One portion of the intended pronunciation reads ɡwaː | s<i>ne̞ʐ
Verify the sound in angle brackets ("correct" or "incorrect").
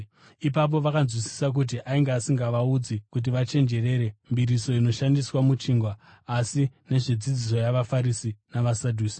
correct